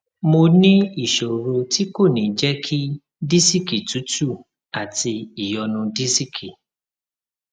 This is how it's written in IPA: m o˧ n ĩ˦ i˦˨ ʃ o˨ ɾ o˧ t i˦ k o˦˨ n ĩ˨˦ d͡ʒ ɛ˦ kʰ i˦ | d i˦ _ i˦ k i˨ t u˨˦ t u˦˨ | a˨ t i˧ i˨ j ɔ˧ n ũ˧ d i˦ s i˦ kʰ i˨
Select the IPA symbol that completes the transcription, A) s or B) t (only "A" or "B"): A